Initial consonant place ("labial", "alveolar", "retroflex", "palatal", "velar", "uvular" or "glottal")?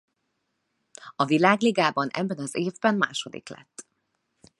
labial